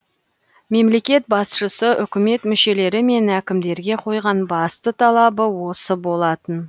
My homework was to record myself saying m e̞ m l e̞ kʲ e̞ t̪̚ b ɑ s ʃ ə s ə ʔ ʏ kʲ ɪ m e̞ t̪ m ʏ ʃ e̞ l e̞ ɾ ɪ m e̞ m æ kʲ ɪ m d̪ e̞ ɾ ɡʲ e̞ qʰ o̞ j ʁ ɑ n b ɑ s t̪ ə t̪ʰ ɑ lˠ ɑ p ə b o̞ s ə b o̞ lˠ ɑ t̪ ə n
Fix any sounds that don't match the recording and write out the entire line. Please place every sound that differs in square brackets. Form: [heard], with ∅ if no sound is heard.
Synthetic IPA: m e̞ m l e̞ kʲ e̞ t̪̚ b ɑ s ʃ ə s ə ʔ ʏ kʲ ɪ m e̞ t̪ m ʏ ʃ e̞ l e̞ ɾ ɪ m e̞ [n] æ kʲ ɪ m d̪ e̞ ɾ ɡʲ e̞ qʰ o̞ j ʁ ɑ n b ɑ s t̪ ə t̪ʰ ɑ lˠ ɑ [b] ə [w] o̞ s ə b o̞ lˠ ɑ t̪ ə n